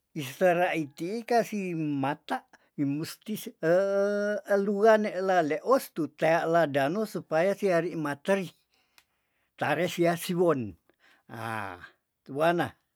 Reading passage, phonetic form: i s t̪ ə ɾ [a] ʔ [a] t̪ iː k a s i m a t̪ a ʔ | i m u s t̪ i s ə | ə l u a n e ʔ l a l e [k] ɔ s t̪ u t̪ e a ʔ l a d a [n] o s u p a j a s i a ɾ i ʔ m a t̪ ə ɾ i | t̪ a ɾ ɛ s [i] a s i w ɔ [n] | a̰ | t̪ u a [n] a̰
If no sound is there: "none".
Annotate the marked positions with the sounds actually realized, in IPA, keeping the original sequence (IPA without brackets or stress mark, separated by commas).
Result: a, i, ʔ, n, i, n, n